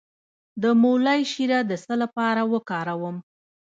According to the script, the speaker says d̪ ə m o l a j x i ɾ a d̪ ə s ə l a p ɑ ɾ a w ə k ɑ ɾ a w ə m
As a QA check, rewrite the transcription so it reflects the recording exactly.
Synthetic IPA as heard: d̪ ə m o l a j ʃ i ɾ a d̪ ə s ə l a p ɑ ɾ a w ə k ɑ ɾ a w ə m